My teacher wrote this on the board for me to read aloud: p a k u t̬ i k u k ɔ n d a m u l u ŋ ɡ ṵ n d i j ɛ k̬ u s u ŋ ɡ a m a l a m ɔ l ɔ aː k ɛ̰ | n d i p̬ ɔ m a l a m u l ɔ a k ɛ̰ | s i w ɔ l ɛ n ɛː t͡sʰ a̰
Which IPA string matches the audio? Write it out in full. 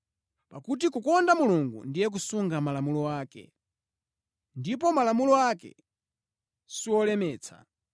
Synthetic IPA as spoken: p a k u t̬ i k u k ɔ n d a m u l u ŋ ɡ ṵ n d i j ɛ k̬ u s u ŋ ɡ a m a l a m u l ɔ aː k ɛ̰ | n d i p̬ ɔ m a l a m u l ɔ a k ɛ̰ | s i w ɔ l ɛ m ɛː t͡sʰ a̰